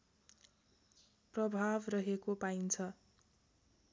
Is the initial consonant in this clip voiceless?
yes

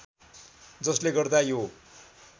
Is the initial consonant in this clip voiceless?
no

